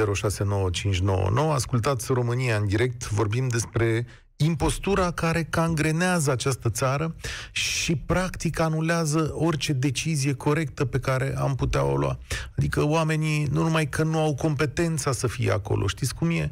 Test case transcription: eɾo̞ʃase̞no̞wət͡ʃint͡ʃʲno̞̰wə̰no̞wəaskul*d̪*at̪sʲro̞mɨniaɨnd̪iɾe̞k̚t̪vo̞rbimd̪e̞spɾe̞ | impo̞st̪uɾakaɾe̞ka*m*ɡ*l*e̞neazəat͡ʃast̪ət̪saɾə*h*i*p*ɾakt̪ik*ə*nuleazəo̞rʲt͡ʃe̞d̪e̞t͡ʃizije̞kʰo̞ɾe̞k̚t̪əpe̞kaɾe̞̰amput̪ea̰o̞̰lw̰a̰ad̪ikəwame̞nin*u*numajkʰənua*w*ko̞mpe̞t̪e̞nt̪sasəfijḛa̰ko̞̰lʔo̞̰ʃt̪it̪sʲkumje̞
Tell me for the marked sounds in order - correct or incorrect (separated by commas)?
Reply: incorrect, incorrect, incorrect, incorrect, correct, incorrect, correct, correct